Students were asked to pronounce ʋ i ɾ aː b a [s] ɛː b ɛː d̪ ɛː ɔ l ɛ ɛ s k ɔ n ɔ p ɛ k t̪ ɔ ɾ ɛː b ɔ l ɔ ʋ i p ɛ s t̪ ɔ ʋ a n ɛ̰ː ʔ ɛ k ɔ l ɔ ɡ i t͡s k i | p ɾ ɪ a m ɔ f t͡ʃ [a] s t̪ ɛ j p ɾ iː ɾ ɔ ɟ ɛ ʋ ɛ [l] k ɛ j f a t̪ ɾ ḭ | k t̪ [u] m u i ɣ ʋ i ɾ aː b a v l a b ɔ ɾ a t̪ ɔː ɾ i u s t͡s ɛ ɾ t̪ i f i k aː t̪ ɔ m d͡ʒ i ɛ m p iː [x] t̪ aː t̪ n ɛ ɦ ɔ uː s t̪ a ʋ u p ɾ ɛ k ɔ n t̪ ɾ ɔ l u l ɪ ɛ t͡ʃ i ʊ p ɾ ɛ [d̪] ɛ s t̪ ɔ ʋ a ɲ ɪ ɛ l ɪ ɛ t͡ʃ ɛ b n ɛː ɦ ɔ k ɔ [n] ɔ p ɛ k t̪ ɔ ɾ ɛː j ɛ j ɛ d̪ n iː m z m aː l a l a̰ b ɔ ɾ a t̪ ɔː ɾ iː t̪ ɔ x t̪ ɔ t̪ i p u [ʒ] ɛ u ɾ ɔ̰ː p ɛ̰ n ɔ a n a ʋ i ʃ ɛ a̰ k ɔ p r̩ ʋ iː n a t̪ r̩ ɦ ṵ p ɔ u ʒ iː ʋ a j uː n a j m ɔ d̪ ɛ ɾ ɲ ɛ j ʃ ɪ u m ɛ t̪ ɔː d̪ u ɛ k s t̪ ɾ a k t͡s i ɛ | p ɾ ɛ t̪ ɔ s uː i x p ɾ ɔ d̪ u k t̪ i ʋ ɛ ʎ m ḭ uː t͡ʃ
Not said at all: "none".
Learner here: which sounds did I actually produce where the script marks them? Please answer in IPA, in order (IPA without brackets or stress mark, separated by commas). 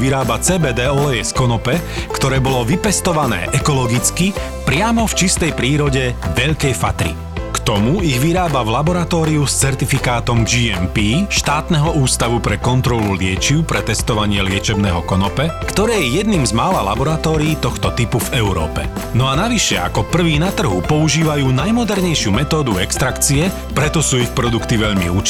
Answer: t͡s, i, ʎ, ɔ, ʃ, t̪, n, v